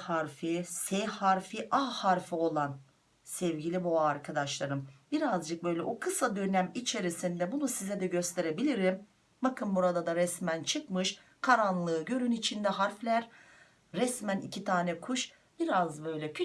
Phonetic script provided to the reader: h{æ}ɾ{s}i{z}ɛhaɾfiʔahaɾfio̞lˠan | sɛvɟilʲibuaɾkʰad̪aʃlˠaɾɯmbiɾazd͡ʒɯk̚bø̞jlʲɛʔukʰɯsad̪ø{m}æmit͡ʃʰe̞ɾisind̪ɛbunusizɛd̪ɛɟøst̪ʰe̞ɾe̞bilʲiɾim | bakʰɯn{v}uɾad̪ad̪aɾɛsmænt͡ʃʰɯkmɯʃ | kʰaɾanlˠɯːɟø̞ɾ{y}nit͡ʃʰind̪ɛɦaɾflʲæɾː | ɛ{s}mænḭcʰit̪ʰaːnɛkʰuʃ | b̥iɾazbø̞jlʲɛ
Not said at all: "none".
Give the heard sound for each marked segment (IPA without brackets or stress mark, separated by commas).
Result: a, f, s, n, b, y, s